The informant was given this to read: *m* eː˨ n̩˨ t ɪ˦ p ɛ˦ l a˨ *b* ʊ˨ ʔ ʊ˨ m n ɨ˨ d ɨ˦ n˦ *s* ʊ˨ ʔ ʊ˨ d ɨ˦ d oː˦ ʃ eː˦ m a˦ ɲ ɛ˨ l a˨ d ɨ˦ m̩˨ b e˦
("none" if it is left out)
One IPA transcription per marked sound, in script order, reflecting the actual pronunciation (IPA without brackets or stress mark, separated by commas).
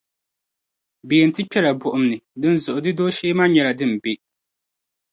b, b, z